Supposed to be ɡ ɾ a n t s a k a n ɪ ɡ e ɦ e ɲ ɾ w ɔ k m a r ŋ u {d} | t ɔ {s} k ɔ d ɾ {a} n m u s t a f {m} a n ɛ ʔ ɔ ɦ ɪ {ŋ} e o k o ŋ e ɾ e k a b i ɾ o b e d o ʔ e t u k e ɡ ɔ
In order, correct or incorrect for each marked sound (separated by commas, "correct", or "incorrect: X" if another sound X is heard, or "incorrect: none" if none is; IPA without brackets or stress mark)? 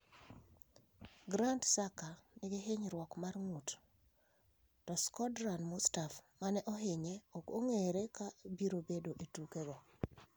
incorrect: t, correct, correct, correct, incorrect: ɲ